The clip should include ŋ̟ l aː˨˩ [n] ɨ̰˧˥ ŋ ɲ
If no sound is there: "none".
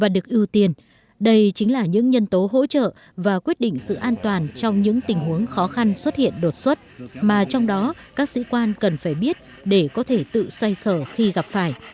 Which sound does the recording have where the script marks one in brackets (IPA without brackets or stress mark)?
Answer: ɲ